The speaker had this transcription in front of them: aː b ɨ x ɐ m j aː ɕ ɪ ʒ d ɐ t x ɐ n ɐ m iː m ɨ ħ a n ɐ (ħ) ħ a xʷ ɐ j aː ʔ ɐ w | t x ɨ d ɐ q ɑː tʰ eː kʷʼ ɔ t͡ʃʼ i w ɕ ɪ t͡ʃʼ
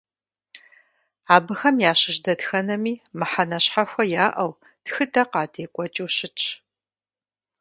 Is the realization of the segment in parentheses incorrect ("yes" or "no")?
yes